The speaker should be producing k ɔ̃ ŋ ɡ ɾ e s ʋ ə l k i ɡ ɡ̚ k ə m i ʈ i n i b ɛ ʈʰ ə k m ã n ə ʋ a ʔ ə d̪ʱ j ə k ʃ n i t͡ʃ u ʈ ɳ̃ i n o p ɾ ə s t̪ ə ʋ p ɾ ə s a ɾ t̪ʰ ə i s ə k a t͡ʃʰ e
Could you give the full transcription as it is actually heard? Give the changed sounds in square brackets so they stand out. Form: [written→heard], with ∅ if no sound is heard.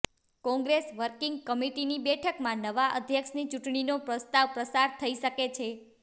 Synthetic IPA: k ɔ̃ ŋ ɡ ɾ e s ʋ ə [l→ɾ] k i [ɡ→ŋ] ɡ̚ k ə m i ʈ i n i b ɛ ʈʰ ə k m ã n ə ʋ a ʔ ə d̪ʱ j ə k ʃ n i t͡ʃ u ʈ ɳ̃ i n o p ɾ ə s t̪ [ə→a] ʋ p ɾ ə s a ɾ t̪ʰ ə i [s→ʃ] ə k [a→e] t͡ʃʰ e